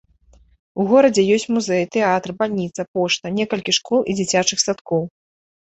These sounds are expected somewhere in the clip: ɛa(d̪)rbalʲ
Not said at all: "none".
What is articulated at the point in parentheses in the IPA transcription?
t̪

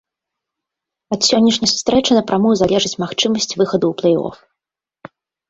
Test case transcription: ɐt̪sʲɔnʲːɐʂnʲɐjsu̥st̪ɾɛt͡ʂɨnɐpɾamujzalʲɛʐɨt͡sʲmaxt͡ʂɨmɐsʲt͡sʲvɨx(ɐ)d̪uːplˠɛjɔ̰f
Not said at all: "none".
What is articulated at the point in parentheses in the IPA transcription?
ɐ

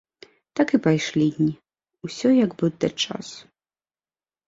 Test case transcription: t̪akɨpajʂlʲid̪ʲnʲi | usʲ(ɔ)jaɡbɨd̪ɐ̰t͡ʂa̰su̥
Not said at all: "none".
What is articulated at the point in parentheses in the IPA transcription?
ɔ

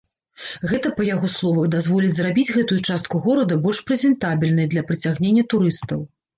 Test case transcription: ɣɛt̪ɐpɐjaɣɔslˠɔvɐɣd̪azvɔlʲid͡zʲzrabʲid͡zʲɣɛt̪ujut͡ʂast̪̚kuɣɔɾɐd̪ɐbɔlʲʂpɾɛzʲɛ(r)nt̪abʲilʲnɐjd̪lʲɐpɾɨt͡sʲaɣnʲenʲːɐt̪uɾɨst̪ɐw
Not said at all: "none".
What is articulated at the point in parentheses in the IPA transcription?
none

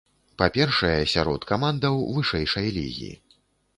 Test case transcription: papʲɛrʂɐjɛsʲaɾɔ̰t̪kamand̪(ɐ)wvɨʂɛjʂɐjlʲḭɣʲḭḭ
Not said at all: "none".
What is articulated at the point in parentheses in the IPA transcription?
ɐ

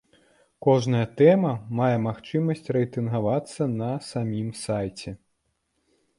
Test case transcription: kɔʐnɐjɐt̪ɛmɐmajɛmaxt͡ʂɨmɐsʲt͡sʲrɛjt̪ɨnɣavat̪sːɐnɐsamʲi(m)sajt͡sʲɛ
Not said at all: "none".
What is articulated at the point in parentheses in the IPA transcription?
m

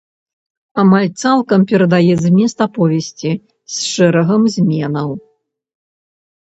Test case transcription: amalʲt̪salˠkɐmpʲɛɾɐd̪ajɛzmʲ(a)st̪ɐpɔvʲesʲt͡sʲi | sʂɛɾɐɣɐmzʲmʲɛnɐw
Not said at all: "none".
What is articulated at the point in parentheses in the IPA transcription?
ɛ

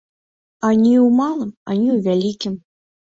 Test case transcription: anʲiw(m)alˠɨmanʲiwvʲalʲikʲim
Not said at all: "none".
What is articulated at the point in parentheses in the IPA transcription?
m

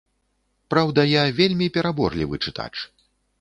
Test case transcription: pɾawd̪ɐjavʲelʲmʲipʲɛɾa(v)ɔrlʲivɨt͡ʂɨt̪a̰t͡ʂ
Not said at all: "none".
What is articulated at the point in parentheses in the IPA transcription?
b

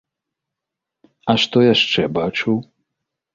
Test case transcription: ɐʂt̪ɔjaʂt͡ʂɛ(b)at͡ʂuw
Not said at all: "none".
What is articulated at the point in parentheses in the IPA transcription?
b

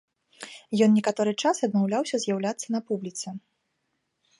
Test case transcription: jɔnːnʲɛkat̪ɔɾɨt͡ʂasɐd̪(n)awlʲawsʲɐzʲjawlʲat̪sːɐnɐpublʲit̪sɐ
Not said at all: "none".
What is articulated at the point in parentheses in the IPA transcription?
m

